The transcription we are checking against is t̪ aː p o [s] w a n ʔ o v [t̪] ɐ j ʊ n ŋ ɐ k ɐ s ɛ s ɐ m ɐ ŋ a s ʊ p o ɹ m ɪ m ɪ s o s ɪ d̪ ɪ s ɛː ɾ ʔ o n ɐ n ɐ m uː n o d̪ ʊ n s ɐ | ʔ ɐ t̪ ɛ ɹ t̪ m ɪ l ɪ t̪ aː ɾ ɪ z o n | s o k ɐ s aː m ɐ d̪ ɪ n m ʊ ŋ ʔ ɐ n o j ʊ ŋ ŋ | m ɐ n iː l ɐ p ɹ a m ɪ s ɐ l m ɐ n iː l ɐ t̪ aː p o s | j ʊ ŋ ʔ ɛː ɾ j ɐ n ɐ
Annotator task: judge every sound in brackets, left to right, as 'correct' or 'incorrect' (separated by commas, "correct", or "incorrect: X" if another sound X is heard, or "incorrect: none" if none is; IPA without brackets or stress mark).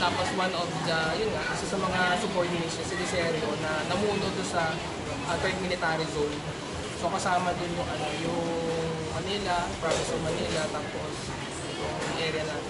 correct, incorrect: d̪